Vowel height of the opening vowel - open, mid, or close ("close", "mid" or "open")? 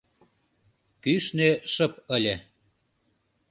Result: close